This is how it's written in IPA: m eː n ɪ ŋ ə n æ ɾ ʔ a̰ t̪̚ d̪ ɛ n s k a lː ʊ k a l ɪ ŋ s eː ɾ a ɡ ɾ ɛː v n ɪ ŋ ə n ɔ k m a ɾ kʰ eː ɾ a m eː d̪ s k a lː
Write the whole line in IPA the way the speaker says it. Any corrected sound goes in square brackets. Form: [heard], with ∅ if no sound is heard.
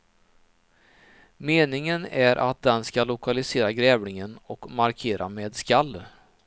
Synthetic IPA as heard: m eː n ɪ ŋ ə n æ ɾ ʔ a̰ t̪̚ d̪ ɛ n s k a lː ʊ k a l ɪ [∅] s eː ɾ a ɡ ɾ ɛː v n ɪ ŋ ə n ɔ k m a ɾ kʰ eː ɾ a m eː d̪ s k a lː